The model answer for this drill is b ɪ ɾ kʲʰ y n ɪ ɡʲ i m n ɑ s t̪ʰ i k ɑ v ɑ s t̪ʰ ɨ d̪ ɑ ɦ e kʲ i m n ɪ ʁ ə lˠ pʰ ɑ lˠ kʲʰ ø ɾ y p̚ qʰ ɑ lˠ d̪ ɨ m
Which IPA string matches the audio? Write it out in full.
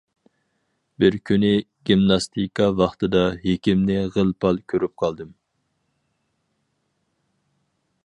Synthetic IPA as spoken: b ɪ ɾ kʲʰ y n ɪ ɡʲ i m n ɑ s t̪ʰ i k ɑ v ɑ χ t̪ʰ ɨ d̪ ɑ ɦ e kʲ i m n ɪ ʁ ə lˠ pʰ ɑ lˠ kʲʰ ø ɾ y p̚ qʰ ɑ lˠ d̪ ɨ m